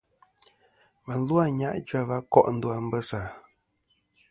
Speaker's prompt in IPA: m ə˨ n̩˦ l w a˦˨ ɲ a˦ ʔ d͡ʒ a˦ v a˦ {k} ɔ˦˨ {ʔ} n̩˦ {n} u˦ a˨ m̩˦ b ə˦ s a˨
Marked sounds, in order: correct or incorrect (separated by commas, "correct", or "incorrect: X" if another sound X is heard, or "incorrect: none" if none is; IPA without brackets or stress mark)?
correct, correct, incorrect: d